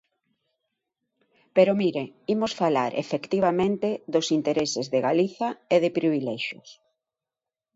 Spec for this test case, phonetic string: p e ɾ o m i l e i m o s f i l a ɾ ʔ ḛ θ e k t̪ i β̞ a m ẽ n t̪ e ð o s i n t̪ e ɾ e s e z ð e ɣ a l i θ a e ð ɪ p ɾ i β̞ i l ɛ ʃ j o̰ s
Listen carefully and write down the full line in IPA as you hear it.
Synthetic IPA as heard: p e ɾ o m i ɾ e i m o s f a l a ɾ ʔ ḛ f e k t̪ i β̞ a m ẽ n t̪ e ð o s i n t̪ e ɾ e s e z ð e ɣ a l i θ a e ð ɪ p ɾ i β̞ i l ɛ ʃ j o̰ s